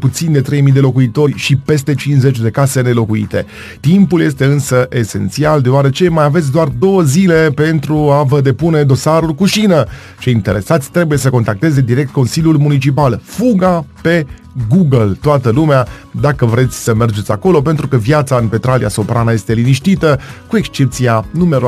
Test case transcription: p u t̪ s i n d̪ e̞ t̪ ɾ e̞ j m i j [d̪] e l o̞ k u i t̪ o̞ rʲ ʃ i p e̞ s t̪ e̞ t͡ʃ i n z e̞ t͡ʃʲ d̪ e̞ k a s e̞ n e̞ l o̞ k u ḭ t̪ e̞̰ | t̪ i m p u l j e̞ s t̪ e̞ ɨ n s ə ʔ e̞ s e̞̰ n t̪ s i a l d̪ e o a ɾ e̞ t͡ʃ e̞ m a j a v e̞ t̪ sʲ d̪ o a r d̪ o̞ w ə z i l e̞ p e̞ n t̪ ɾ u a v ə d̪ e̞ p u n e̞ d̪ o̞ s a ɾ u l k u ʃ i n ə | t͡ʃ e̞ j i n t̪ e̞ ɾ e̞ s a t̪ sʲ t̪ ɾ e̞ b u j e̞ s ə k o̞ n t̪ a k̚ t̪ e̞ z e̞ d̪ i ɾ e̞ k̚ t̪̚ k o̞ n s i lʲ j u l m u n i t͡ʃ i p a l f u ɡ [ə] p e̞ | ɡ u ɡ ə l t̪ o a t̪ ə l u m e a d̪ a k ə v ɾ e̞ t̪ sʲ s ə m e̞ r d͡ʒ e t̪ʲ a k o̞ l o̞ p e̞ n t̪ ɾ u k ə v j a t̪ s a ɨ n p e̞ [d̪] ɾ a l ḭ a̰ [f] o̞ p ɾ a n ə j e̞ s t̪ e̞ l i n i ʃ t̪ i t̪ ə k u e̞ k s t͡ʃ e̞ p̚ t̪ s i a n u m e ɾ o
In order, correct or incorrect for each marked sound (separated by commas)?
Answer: correct, incorrect, incorrect, incorrect